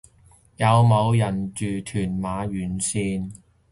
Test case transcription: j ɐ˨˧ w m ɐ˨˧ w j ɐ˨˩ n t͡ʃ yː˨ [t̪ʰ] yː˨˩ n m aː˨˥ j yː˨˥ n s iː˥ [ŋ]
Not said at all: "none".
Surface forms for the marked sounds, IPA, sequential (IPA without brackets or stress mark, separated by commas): t̪ʰ, n